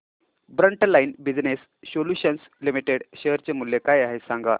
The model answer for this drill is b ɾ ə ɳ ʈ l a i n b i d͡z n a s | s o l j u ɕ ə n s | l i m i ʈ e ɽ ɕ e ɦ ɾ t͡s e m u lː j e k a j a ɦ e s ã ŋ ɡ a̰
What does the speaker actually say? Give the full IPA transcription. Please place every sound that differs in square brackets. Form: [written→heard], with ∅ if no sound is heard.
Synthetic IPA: b ɾ ə ɳ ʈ l a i n b i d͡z n [a→e] s | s o l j u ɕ ə n s | l i m i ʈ e ɽ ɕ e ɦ ɾ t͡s e m u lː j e k a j a ɦ e s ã ŋ ɡ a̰